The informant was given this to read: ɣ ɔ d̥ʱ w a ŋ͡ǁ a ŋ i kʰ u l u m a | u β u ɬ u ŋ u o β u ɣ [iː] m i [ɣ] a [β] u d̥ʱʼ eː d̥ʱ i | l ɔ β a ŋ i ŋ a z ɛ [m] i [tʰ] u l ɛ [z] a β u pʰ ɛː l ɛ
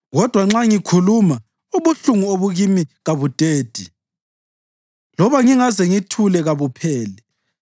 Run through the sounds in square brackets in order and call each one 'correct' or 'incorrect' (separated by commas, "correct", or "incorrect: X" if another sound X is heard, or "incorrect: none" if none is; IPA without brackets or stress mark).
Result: incorrect: i, correct, correct, incorrect: ŋ, correct, incorrect: ɣ